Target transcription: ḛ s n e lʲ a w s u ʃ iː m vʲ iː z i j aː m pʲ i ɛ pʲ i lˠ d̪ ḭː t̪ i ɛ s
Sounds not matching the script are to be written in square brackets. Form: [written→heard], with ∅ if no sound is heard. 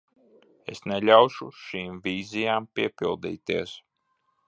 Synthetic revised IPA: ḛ s n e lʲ a w [s→ʃ] u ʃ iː m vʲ iː z i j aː m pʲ i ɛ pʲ i lˠ d̪ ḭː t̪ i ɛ s